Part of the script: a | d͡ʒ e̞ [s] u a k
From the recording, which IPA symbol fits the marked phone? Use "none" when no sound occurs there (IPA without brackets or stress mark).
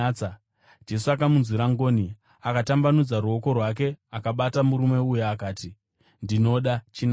s